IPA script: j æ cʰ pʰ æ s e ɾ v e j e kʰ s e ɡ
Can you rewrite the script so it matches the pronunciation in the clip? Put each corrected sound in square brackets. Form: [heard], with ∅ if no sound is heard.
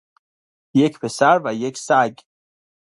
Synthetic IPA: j [e] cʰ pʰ [e] s [æ] ɾ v [æ] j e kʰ s [æ] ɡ